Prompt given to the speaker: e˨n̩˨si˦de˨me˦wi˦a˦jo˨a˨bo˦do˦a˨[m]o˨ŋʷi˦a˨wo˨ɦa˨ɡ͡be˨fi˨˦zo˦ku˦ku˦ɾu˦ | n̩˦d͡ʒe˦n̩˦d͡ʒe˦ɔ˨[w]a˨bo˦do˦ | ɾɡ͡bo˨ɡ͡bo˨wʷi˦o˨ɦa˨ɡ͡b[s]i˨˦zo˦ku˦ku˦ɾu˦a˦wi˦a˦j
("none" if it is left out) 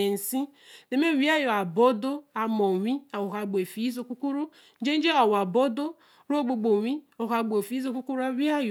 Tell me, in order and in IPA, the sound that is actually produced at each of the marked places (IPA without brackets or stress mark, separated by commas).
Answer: m, w, f